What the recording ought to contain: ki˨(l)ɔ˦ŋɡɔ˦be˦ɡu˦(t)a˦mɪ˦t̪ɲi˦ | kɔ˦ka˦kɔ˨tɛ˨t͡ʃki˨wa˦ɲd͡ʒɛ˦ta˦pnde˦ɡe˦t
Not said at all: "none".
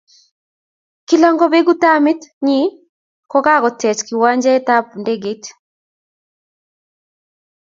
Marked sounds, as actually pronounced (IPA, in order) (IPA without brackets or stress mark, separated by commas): l, t